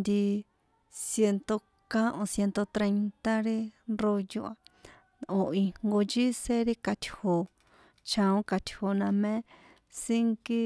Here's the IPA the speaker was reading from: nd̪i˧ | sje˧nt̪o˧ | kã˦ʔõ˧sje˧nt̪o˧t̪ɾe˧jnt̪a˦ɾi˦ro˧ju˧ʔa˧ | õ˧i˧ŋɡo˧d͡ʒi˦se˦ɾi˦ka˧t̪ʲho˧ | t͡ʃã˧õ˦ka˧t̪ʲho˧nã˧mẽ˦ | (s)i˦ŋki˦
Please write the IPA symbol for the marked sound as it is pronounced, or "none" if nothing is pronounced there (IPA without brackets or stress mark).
s